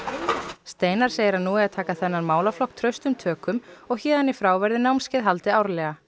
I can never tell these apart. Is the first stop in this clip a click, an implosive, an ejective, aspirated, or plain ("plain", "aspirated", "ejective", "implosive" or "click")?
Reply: plain